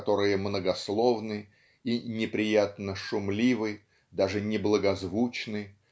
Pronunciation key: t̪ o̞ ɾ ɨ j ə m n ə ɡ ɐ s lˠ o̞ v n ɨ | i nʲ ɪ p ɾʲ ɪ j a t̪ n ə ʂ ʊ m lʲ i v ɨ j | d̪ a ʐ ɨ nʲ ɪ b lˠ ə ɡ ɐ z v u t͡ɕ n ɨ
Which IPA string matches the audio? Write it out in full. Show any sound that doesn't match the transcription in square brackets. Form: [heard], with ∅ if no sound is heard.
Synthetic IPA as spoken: t̪ o̞ ɾ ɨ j ə m n ə ɡ ɐ s lˠ o̞ v n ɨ | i nʲ ɪ p ɾʲ ɪ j a t̪ n ə ʂ ʊ m lʲ i v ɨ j | d̪ a ʐ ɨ nʲ ɪ b lˠ ə ɡ ɐ z v u t͡ɕ n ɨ